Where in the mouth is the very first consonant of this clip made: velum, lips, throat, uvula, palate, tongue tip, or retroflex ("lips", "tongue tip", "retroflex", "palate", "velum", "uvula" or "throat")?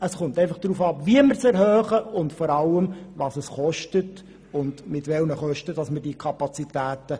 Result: tongue tip